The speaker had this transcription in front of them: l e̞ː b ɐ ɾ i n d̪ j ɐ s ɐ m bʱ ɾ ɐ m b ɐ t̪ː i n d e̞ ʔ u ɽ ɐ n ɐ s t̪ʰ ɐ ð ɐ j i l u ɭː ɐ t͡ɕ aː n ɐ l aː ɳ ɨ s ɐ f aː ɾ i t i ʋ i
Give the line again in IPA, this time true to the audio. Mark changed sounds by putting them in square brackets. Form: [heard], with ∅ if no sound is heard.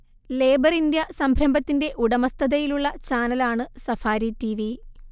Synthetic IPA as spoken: l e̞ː b ɐ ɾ i n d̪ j ɐ s ɐ m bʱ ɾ ɐ m b ɐ t̪ː i n d e̞ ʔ u ɽ ɐ [m] ɐ s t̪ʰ ɐ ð ɐ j i l u ɭː ɐ t͡ɕ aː n ɐ l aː ɳ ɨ s ɐ f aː ɾ i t i ʋ i